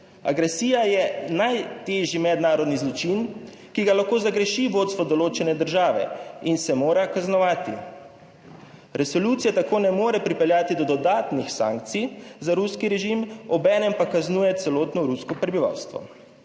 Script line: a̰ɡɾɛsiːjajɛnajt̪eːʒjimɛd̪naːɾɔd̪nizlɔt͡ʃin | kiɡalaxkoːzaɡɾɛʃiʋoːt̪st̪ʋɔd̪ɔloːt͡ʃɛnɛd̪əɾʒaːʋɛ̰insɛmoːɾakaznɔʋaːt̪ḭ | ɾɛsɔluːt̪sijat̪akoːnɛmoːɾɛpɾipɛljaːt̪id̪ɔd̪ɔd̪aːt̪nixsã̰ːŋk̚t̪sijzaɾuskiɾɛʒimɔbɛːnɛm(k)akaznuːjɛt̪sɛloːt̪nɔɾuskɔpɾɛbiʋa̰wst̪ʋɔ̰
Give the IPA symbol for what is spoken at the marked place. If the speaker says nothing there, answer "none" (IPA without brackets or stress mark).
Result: p